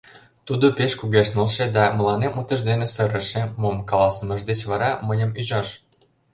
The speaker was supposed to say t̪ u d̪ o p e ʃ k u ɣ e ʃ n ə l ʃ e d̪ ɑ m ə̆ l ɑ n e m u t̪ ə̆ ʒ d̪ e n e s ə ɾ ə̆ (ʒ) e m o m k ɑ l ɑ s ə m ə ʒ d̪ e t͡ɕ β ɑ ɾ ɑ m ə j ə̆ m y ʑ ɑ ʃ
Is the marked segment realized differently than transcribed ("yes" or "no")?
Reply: yes